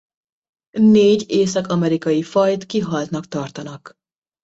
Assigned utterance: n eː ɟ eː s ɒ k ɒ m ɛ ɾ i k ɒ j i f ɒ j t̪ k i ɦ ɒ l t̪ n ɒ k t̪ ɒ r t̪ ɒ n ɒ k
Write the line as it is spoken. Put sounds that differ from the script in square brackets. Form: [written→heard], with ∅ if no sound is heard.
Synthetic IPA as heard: n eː ɟ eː s ɒ k ɒ m ɛ ɾ i k ɒ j i f ɒ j t̪ k i ɦ ɒ l t̪ n ɒ k t̪ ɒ r t̪ ɒ n ɒ k